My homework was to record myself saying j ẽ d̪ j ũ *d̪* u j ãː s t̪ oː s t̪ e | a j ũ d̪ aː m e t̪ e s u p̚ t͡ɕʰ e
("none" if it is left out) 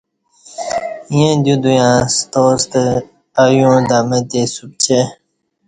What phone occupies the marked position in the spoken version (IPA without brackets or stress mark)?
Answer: d̪